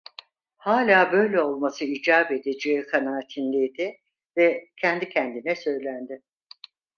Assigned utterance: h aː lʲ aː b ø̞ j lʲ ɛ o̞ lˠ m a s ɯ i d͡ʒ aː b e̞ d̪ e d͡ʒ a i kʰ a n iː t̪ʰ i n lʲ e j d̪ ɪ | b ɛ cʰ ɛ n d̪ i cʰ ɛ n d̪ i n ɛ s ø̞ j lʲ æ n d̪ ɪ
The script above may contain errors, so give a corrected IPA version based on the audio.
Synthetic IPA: h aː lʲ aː b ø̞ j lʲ ɛ o̞ lˠ m a s ɯ i d͡ʒ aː b e̞ d̪ e d͡ʒ e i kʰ a n aː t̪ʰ i n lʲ e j d̪ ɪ | v ɛ cʰ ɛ n d̪ i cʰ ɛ n d̪ i n ɛ s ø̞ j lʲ æ n d̪ ɪ